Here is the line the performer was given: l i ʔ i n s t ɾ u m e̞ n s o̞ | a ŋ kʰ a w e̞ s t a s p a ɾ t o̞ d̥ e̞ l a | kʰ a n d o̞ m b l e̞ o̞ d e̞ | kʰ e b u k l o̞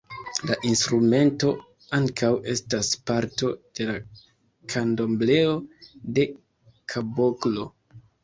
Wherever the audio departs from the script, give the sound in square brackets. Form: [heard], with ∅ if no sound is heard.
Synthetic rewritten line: l [a] ʔ i n s t ɾ u m e̞ n [t] o̞ | a ŋ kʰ a w e̞ s t a s p a ɾ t o̞ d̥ e̞ l a | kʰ a n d o̞ m b l e̞ o̞ d e̞ | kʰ [a] b [o] k l o̞